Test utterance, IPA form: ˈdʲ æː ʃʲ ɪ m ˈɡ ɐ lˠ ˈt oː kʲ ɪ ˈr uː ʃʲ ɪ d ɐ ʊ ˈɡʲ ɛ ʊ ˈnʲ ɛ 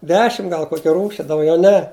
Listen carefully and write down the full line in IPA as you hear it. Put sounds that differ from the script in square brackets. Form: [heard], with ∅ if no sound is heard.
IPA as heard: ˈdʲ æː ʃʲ ɪ m ˈɡ ɐ lˠ [ˈk] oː kʲ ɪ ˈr uː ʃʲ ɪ d ɐ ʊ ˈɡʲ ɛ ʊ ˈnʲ ɛ